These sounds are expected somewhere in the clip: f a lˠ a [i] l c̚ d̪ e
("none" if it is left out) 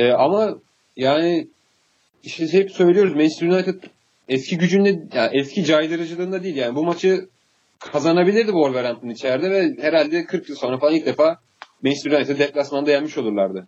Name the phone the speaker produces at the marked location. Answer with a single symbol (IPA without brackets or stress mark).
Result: i